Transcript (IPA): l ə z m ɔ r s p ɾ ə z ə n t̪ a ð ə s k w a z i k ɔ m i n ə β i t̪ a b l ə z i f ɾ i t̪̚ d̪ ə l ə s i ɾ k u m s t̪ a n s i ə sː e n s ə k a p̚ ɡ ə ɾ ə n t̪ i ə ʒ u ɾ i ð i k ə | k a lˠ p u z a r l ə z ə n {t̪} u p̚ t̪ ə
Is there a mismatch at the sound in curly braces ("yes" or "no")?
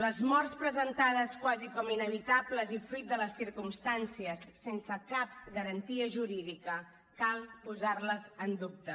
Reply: yes